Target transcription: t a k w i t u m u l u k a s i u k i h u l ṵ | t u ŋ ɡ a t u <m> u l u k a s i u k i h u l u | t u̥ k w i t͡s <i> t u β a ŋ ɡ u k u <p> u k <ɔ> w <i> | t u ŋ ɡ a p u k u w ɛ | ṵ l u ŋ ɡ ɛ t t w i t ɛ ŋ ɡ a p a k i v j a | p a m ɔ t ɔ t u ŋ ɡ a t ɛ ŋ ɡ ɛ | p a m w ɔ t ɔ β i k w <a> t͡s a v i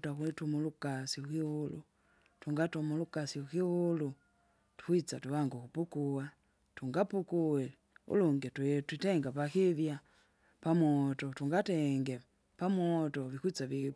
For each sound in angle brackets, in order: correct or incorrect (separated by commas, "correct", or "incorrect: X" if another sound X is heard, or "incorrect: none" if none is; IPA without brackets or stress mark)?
correct, incorrect: a, correct, incorrect: u, incorrect: a, incorrect: i